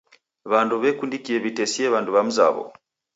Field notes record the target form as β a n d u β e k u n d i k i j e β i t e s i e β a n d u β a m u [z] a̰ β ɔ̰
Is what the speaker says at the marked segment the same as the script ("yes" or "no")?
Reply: yes